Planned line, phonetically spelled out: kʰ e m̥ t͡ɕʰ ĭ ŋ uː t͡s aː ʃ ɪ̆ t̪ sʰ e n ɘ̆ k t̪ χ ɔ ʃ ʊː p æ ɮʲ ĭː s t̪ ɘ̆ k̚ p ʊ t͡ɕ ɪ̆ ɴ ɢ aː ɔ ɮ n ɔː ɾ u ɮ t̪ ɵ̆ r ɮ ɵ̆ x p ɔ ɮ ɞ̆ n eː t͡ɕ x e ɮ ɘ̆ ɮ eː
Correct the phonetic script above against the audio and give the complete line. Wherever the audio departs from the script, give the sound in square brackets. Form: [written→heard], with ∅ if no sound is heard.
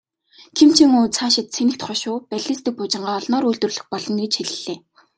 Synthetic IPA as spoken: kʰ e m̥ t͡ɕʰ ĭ ŋ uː [t͡s→t͡sʰ] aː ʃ ɪ̆ t̪ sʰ e n ɘ̆ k t̪ χ ɔ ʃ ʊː p æ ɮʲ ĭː s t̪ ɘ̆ k̚ p ʊ t͡ɕ ɪ̆ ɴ ɢ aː ɔ ɮ n ɔː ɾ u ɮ t̪ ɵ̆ r ɮ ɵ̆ x p ɔ ɮ ɞ̆ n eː t͡ɕ x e ɮ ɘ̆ ɮ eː